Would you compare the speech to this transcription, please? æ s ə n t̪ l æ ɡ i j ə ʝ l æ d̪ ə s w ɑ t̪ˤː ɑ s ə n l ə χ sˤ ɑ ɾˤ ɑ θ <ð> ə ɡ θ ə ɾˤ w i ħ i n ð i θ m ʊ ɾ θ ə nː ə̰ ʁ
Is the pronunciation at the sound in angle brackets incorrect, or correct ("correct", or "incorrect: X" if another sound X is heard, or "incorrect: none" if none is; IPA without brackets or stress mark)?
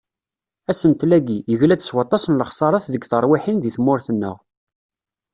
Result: correct